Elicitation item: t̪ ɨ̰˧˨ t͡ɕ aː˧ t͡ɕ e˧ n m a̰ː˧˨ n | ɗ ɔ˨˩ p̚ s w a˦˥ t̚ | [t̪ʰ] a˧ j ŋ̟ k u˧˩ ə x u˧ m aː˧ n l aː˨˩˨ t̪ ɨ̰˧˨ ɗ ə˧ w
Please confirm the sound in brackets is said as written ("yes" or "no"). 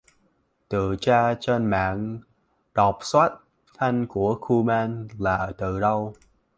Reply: yes